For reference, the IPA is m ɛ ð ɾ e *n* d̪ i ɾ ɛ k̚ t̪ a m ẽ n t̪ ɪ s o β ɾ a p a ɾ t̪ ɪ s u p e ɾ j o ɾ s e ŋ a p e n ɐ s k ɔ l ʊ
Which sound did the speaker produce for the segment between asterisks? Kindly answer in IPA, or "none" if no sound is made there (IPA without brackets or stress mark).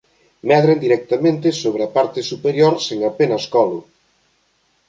n